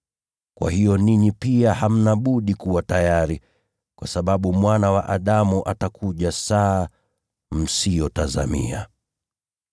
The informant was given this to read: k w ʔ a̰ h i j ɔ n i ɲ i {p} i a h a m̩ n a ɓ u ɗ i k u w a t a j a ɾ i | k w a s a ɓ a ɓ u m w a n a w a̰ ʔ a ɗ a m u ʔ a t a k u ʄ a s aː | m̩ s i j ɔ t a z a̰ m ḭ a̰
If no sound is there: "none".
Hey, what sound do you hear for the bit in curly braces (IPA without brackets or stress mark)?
p